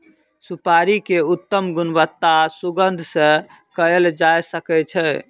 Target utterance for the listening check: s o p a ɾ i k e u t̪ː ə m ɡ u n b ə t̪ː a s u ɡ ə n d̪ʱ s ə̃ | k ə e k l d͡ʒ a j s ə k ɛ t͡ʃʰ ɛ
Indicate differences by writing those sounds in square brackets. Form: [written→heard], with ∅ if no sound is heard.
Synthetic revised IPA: s [o→u] p a ɾ i k e u t̪ː ə m ɡ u n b ə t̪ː a s u ɡ ə n d̪ʱ s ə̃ | k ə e [k→∅] l d͡ʒ a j s ə k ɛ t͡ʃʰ ɛ